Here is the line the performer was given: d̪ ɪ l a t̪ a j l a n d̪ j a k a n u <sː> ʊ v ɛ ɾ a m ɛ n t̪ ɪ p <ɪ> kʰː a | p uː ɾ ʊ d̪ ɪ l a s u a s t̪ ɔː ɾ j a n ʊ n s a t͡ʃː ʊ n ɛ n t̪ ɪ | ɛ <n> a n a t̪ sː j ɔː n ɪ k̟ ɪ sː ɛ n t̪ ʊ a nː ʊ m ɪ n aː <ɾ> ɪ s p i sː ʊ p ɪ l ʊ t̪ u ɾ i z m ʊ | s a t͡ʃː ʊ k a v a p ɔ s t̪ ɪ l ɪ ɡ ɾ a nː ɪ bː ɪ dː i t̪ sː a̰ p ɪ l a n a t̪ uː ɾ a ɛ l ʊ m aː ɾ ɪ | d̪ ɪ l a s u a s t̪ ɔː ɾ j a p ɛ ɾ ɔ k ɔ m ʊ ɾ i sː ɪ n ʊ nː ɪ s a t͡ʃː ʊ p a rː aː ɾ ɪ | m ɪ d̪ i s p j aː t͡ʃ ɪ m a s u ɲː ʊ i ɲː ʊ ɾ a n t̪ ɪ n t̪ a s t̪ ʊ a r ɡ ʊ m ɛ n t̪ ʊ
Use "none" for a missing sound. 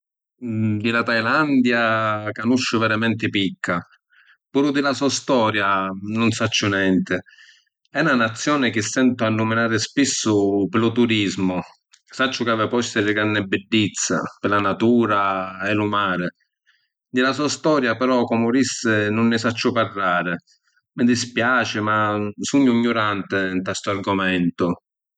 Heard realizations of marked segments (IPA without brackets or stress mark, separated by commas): ʃː, i, n, ɾ